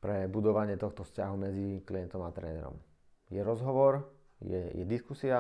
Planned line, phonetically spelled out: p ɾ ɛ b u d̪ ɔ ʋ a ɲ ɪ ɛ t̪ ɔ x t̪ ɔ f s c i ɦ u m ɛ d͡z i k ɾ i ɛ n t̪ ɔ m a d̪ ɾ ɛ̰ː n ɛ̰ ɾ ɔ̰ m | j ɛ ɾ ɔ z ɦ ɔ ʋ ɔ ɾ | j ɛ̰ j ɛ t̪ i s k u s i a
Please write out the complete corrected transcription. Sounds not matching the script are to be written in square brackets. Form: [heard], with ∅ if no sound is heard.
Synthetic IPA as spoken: p ɾ ɛ b u d̪ ɔ ʋ a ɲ ɪ ɛ t̪ ɔ x t̪ ɔ f s c [a] ɦ u m ɛ d͡z i k [l] i ɛ n t̪ ɔ m a [t̪] ɾ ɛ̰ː n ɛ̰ ɾ ɔ̰ m | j ɛ ɾ ɔ z ɦ ɔ ʋ ɔ ɾ | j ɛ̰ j ɛ [d̪] i s k u s i a